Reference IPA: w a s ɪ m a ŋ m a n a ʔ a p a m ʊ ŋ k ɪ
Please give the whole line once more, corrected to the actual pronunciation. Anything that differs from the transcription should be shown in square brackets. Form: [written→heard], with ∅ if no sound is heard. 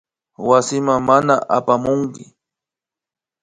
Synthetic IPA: w a s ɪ m a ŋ m a n a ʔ a p a m ʊ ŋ k ɪ